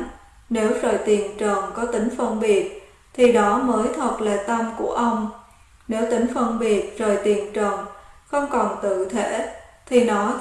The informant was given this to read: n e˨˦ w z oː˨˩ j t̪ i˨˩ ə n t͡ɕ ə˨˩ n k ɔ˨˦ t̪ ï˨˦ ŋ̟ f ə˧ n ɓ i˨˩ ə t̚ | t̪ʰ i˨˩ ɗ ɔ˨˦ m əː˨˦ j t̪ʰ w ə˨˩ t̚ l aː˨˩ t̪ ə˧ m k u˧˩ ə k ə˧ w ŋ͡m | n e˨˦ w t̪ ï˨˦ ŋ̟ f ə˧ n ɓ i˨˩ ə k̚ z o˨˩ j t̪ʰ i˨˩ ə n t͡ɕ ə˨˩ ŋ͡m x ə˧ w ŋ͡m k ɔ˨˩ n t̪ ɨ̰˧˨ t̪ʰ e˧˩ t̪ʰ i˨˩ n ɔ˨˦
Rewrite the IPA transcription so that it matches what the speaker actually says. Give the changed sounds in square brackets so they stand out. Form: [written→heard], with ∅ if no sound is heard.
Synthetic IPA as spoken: n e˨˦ w z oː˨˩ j t̪ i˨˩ ə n t͡ɕ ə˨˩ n k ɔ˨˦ t̪ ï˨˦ ŋ̟ f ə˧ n ɓ i˨˩ ə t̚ | t̪ʰ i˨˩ ɗ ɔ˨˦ m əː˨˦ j t̪ʰ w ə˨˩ t̚ l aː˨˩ t̪ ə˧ m k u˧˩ ə [k→ʔ] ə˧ w ŋ͡m | n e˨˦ w t̪ ï˨˦ ŋ̟ f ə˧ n ɓ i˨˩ ə [k̚→t̚] z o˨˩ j [t̪ʰ→t̪] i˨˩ ə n t͡ɕ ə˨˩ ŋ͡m x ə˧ w ŋ͡m k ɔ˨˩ n t̪ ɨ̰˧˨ t̪ʰ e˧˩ t̪ʰ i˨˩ n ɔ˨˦